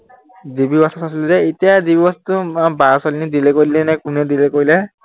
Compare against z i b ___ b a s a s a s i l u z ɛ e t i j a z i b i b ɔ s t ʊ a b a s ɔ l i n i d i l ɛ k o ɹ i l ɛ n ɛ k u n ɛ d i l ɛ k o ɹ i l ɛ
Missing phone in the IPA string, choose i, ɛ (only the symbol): i